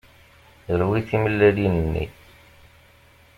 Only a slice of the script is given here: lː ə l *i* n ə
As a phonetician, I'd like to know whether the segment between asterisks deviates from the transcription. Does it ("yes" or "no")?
no